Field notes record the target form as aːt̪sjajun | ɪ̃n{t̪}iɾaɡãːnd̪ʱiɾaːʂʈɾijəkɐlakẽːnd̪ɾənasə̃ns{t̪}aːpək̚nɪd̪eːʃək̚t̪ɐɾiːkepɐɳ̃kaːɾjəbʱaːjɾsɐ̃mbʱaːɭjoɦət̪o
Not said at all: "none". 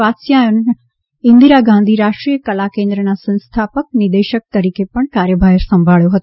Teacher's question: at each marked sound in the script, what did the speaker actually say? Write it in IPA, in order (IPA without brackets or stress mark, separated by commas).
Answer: d̪, t̪ʰ